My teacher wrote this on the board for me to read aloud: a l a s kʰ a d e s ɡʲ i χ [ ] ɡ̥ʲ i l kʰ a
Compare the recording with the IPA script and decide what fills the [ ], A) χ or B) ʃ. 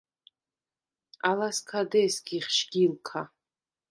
B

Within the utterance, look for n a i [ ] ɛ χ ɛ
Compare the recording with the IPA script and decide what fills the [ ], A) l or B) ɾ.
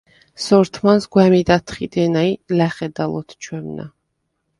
A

